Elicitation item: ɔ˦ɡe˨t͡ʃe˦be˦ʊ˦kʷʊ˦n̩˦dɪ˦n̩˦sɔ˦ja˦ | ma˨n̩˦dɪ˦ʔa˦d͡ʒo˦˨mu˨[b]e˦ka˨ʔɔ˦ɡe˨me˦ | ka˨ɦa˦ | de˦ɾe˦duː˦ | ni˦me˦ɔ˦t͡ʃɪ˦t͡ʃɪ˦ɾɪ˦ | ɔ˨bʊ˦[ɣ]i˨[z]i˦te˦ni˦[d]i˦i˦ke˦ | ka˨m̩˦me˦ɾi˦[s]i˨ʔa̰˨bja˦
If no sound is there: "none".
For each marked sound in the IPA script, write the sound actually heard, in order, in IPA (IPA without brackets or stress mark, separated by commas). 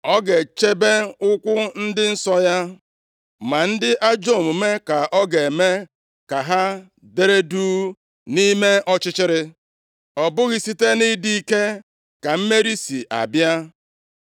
m, ɣ, s, d, s